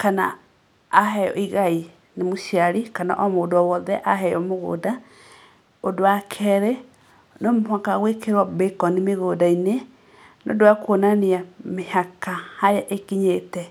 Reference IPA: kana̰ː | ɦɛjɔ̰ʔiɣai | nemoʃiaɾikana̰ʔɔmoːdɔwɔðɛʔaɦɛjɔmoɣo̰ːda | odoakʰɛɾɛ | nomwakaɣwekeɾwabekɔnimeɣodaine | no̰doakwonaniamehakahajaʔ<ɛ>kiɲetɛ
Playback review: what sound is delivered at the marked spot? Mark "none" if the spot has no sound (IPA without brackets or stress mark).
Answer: e